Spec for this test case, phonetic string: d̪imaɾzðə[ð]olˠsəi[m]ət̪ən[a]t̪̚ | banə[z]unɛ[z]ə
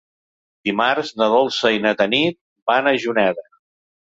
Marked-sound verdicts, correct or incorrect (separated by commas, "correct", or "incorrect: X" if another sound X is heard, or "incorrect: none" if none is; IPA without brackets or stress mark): correct, incorrect: n, incorrect: i, incorrect: ʒ, incorrect: ð